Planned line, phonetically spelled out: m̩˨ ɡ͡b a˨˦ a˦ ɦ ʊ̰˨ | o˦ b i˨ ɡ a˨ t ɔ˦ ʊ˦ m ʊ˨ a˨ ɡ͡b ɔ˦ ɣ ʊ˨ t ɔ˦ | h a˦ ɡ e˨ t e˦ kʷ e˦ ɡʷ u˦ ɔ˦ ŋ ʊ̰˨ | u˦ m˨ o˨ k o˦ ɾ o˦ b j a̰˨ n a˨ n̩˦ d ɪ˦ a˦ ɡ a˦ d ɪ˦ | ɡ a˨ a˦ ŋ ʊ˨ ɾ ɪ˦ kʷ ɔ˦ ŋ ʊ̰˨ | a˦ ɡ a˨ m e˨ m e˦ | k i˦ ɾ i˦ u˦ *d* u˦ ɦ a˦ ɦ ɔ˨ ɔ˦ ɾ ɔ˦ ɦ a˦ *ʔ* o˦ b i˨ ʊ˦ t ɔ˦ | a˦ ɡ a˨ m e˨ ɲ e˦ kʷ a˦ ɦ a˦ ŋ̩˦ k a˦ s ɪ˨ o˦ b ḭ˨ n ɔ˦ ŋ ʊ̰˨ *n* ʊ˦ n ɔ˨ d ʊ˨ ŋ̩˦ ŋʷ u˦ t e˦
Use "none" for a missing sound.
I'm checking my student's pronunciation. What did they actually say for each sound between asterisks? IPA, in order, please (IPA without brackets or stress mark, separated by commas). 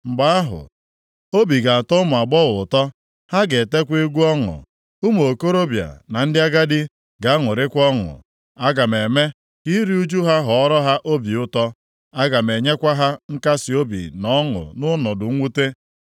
d͡ʒ, ʔ, n